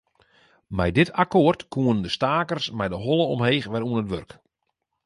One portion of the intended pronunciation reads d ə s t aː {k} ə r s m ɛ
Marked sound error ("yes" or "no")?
no